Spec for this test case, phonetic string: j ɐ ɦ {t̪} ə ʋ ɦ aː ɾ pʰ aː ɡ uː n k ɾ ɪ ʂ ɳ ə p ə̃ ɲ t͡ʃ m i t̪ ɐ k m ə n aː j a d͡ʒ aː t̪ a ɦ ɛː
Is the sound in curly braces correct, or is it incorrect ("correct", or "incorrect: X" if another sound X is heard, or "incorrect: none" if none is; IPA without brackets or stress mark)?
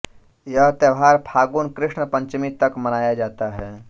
correct